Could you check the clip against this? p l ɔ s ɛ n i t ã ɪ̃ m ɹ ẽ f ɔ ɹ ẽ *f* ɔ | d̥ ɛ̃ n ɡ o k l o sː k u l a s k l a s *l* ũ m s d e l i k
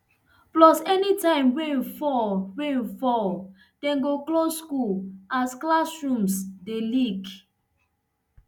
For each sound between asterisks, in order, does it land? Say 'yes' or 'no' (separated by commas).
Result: yes, no